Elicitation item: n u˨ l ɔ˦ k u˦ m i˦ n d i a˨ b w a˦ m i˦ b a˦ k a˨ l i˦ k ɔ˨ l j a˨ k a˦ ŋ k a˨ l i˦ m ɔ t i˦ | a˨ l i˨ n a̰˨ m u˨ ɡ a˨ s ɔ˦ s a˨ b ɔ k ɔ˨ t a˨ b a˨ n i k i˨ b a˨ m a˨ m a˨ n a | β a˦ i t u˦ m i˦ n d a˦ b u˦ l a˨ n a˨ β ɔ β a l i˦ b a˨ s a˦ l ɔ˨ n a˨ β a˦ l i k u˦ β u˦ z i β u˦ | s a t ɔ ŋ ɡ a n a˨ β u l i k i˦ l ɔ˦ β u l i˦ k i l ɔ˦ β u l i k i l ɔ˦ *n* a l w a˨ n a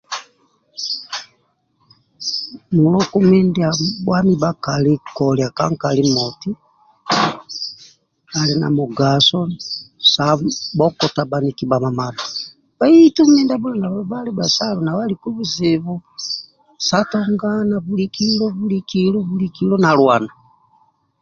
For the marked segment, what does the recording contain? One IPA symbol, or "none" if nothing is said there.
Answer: n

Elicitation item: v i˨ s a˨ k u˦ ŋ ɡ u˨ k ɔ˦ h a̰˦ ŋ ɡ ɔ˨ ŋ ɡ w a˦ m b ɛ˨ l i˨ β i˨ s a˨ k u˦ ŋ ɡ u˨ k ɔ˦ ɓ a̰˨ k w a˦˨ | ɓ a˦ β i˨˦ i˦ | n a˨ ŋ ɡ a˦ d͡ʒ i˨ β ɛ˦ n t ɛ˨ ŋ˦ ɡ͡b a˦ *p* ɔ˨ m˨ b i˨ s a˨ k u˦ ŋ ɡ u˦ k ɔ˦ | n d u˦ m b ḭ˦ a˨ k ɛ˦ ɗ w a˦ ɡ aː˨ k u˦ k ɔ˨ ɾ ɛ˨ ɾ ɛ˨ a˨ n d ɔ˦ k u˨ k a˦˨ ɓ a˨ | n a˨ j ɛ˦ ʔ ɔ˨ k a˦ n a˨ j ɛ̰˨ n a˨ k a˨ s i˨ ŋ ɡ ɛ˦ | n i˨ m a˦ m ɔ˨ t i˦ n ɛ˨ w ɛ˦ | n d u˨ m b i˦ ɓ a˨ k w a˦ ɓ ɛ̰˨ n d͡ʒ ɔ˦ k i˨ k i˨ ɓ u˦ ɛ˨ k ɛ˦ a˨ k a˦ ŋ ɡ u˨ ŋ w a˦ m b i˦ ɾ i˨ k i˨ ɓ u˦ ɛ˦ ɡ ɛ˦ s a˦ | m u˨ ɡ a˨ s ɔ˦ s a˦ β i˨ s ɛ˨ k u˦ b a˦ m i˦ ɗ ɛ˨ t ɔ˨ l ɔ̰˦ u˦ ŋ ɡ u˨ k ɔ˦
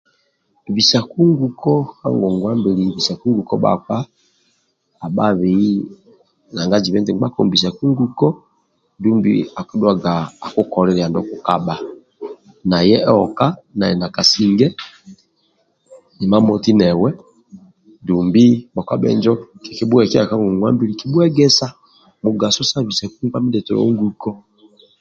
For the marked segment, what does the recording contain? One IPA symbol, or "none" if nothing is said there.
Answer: k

